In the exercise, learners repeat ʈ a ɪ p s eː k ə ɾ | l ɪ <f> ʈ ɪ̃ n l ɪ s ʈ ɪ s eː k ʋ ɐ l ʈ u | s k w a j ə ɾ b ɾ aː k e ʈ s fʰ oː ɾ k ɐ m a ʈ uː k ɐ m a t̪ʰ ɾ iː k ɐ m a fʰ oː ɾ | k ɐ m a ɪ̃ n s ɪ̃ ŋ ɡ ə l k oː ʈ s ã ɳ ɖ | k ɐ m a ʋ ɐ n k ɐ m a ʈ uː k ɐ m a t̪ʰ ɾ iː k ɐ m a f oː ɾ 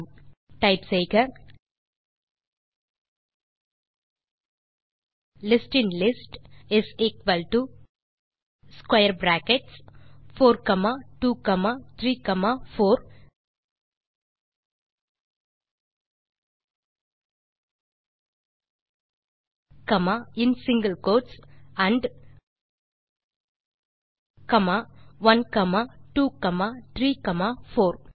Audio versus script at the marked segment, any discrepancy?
yes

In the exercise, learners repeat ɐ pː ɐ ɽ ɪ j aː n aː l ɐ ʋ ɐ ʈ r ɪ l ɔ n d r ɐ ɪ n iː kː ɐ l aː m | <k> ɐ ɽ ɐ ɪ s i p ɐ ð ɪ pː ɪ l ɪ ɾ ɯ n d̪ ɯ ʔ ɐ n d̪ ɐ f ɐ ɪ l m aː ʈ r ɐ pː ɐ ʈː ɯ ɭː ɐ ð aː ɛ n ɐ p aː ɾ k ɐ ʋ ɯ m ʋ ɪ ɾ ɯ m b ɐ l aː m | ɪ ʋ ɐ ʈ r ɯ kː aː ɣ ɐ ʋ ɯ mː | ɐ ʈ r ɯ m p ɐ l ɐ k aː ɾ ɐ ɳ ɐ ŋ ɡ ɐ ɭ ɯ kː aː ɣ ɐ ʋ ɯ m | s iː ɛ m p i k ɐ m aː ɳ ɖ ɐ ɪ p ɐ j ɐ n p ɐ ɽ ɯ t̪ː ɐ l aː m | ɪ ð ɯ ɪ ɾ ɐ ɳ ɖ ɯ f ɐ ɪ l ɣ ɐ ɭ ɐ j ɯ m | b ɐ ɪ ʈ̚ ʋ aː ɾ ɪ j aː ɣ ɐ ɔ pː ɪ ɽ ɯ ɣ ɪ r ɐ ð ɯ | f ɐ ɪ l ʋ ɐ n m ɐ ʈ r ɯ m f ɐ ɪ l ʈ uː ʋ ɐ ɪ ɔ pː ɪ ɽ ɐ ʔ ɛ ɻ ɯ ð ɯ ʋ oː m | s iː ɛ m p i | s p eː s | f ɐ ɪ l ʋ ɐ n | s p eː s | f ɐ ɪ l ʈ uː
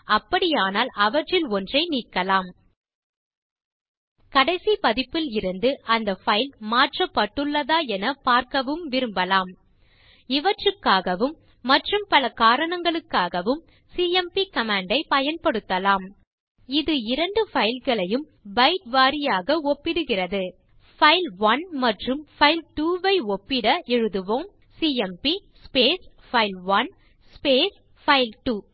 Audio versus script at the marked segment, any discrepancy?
no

